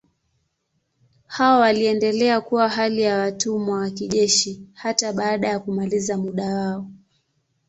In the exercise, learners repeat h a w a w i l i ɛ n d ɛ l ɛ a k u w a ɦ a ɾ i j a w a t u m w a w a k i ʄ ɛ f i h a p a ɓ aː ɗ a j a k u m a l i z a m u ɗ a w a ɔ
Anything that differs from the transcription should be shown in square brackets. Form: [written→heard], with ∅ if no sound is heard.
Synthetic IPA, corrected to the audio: h a w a w [i→a] l i ɛ n d ɛ l ɛ a k u w a ɦ a [ɾ→l] i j a w a t u m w a w a k i ʄ ɛ [f→ʃ] i h a [p→t] a ɓ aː ɗ a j a k u m a l i z a m u ɗ a w a ɔ